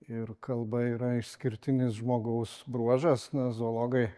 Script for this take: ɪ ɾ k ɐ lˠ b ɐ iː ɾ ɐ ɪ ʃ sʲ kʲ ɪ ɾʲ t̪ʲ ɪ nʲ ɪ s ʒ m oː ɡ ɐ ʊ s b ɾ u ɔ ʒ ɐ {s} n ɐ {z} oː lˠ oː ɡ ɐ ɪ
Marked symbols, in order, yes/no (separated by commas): yes, yes